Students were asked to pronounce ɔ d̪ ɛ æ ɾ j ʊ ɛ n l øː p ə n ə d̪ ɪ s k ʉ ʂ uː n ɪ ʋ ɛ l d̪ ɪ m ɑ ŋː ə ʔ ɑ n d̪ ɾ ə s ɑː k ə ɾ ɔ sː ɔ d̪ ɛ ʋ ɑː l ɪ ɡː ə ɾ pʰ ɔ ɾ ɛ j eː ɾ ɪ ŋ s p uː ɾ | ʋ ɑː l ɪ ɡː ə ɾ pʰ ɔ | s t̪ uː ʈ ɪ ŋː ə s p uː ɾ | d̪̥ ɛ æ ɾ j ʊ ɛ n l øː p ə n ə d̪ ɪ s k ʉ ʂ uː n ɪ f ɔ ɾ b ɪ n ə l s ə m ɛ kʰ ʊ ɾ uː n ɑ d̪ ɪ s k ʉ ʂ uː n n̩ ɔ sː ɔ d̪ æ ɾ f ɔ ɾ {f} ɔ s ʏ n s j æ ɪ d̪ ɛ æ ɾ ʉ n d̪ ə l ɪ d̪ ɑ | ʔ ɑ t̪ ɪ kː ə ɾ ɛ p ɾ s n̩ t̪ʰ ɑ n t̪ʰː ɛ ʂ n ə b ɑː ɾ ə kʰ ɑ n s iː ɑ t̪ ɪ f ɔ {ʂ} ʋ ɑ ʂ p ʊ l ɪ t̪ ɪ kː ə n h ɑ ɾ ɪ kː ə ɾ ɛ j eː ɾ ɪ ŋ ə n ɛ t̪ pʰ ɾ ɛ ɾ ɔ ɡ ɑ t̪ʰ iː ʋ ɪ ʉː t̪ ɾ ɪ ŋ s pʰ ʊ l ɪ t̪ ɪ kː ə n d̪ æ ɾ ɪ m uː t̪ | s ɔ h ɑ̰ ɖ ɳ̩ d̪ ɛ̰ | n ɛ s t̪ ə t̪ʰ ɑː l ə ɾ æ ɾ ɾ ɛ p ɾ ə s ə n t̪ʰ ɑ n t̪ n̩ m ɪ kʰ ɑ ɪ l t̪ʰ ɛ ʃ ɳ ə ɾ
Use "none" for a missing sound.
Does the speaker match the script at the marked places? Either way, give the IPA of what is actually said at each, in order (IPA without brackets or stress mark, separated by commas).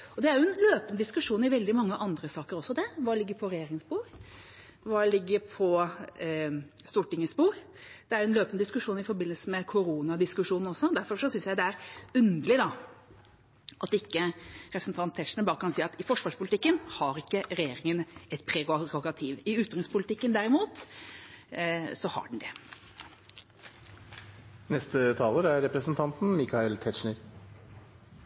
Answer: ʂ, ʂ